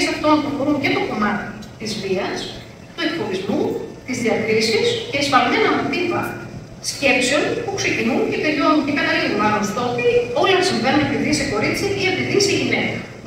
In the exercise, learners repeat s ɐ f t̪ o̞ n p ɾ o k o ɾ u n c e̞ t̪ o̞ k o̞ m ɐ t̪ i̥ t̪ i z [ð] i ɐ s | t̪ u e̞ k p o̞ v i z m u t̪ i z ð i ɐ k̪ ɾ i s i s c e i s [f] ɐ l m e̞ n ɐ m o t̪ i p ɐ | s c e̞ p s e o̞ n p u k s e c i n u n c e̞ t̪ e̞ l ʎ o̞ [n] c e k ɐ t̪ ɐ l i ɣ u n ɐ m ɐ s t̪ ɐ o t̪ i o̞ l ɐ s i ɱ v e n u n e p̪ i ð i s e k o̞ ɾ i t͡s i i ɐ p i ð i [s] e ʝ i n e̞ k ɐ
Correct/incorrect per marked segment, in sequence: incorrect: v, correct, correct, correct

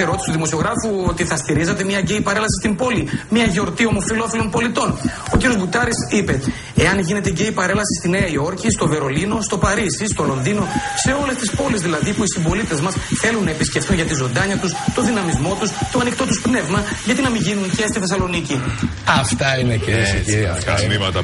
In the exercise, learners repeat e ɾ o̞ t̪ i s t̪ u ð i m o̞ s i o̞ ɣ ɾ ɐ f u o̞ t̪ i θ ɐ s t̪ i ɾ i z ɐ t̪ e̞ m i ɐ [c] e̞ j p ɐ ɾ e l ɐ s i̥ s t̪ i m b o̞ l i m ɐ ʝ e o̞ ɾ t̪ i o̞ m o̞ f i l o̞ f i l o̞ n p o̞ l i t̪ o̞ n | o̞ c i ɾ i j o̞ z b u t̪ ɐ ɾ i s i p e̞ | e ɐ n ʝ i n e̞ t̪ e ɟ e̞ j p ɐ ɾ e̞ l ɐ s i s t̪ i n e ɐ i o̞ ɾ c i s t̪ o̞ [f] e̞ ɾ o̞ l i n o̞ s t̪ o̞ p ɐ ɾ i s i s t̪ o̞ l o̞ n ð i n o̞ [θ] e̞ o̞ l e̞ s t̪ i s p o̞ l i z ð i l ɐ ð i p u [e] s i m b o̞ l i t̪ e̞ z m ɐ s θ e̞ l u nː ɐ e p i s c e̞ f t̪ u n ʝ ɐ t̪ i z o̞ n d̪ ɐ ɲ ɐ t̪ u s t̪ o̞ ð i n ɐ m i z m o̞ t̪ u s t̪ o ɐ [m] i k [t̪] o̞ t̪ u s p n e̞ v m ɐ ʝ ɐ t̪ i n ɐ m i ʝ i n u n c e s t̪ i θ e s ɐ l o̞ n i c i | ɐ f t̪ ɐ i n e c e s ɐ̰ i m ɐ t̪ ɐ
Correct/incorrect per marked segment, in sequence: incorrect: ɟ, incorrect: v, incorrect: s, incorrect: i, incorrect: n, correct

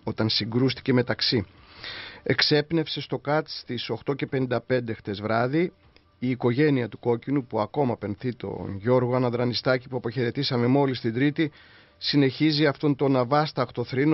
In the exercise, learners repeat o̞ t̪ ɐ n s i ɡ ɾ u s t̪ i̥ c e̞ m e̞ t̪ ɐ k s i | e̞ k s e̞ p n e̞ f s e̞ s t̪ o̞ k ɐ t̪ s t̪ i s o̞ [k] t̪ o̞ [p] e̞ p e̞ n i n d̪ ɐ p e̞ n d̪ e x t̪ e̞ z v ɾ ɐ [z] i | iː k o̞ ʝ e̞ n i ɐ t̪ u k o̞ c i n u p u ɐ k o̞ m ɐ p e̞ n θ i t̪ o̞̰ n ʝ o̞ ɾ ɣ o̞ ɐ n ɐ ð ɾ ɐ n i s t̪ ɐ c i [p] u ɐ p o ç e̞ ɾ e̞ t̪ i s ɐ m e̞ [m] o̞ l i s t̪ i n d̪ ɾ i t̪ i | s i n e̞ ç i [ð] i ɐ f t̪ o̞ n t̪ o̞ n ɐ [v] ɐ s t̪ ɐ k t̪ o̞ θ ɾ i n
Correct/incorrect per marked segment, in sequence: incorrect: x, incorrect: c, incorrect: ð, correct, correct, incorrect: z, correct

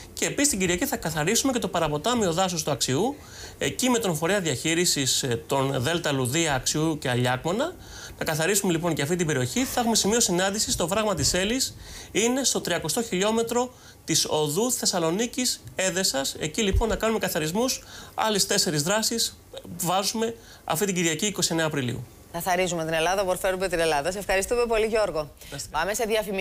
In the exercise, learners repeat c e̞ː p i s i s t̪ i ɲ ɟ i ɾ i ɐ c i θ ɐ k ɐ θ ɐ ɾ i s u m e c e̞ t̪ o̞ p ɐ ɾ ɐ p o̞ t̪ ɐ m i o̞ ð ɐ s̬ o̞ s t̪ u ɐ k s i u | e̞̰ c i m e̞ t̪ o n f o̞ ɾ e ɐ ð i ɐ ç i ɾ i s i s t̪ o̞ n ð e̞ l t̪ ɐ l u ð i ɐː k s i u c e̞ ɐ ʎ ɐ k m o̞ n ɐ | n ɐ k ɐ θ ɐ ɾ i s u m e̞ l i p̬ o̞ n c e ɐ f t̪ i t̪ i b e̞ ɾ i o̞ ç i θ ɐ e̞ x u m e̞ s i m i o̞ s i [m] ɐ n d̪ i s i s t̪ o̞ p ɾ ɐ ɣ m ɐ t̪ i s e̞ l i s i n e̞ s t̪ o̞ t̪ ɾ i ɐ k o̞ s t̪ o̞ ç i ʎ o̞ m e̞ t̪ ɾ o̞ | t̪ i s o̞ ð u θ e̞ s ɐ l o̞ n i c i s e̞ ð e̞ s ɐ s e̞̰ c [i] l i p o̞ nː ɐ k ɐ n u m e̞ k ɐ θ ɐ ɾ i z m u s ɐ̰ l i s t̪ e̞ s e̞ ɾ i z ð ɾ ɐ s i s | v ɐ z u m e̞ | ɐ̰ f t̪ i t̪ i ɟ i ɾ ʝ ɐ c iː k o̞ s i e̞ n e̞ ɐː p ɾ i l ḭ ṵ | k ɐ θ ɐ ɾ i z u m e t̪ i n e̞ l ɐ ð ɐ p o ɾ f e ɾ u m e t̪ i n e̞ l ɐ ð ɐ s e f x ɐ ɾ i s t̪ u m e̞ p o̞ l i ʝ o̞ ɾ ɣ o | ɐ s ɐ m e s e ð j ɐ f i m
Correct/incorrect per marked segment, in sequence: incorrect: n, correct

